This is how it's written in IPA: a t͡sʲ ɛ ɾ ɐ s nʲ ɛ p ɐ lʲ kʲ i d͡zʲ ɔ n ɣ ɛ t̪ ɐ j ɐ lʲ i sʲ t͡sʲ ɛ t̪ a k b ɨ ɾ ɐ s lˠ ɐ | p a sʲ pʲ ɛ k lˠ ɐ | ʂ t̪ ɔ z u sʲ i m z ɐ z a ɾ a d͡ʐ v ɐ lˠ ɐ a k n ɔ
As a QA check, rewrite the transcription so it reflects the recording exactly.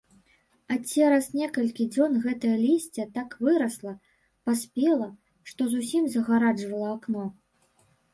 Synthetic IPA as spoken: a t͡sʲ ɛ ɾ ɐ s nʲ ɛ k ɐ lʲ kʲ i d͡zʲ ɔ n ɣ ɛ t̪ ɐ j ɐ lʲ i sʲ t͡sʲ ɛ t̪ a k v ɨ ɾ ɐ s lˠ ɐ | p a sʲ pʲ ɛ lˠ ɐ | ʂ t̪ ɔ z u sʲ i m z ɐ ɣ a ɾ a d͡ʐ v ɐ lˠ ɐ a k n ɔ

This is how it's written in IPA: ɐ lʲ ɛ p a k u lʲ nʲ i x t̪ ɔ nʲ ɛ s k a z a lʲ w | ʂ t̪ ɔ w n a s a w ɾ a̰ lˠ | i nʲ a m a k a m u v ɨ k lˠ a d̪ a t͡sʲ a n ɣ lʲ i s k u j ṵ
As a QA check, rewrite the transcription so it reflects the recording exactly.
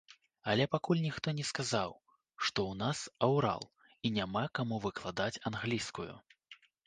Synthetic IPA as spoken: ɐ lʲ ɛ p a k u lʲ nʲ i x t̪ ɔ nʲ ɛ s k a z a w | ʂ t̪ ɔ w n a s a w ɾ a̰ lˠ | i nʲ a m a k a m u v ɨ k lˠ a d̪ a t͡sʲ a n ɣ lʲ i s k u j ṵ

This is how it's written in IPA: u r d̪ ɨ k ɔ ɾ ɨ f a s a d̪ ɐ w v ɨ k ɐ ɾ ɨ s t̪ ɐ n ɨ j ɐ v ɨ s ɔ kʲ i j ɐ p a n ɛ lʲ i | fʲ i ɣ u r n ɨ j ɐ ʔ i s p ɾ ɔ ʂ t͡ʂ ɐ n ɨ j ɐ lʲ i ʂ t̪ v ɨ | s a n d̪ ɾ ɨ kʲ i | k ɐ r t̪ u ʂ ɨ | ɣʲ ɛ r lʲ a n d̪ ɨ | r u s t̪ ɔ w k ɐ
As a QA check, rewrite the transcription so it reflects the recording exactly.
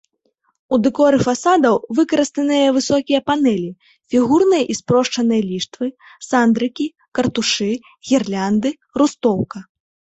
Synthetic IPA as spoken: u d̪ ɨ k ɔ ɾ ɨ f a s a d̪ ɐ w v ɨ k ɐ ɾ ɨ s t̪ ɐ n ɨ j ɐ v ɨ s ɔ kʲ i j ɐ p a n ɛ lʲ i | fʲ i ɣ u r n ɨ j ɐ ʔ i s p ɾ ɔ ʂ t͡ʂ ɐ n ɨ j ɐ lʲ i ʂ t̪ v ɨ | s a n d̪ ɾ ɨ kʲ i | k ɐ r t̪ u ʂ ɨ | ɣʲ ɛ r lʲ a n d̪ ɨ | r u s t̪ ɔ w k ɐ

